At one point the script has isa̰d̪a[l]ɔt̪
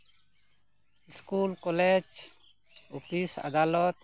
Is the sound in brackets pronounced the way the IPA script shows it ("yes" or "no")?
yes